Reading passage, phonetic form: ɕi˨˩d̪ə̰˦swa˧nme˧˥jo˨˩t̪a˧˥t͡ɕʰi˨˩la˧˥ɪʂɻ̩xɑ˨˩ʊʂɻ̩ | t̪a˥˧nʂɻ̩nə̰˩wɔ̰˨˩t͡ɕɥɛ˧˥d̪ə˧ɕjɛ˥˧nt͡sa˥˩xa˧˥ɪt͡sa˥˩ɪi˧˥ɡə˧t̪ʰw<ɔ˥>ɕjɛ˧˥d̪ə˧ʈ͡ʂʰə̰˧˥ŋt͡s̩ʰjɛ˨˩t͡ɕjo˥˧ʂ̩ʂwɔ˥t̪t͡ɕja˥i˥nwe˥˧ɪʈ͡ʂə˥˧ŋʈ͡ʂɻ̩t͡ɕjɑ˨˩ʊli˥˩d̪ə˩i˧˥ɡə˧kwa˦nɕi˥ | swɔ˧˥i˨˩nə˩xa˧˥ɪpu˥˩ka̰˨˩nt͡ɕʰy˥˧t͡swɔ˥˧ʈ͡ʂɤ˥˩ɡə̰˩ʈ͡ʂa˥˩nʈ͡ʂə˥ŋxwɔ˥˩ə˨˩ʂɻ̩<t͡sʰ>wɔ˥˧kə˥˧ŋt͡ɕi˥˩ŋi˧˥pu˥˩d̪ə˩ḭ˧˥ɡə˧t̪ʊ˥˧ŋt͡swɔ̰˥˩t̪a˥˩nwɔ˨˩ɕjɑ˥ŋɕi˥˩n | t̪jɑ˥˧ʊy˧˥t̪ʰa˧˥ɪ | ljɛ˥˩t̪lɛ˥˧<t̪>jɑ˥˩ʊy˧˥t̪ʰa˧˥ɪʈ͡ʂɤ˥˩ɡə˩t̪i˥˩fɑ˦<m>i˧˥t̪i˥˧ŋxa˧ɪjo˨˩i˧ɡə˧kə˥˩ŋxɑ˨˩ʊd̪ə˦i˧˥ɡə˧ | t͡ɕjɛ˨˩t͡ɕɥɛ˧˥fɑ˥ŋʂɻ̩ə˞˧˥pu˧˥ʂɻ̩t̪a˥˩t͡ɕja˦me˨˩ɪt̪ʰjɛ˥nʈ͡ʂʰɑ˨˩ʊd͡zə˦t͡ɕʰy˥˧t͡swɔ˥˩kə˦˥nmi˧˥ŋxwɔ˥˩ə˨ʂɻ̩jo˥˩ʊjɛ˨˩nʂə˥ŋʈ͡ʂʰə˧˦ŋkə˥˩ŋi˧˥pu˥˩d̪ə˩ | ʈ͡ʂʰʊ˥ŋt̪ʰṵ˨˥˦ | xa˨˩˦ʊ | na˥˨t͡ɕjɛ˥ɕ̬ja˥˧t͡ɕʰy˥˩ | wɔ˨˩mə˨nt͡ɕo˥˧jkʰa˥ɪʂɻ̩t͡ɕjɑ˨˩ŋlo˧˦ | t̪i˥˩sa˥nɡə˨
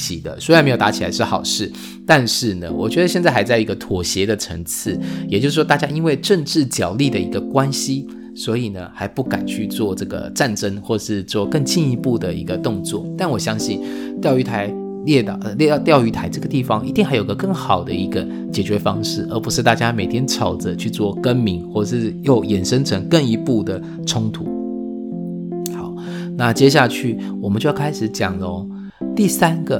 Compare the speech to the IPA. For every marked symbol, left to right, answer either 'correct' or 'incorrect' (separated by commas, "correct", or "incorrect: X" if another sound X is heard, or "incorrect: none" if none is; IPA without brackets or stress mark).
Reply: incorrect: ɔ˨˩, incorrect: t͡s, correct, incorrect: ŋ